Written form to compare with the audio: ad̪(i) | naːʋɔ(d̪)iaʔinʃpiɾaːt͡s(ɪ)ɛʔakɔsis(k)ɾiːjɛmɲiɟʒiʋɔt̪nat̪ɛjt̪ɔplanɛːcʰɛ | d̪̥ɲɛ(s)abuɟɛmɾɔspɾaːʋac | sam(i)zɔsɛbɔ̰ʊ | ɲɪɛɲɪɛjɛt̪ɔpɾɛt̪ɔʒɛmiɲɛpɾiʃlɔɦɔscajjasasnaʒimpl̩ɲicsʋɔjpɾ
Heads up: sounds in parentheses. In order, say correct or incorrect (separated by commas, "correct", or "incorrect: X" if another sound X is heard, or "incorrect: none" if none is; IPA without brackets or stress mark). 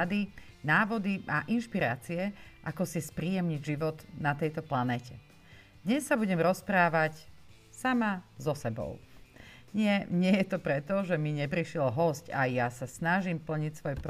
correct, correct, incorrect: i, incorrect: p, incorrect: sː, incorrect: a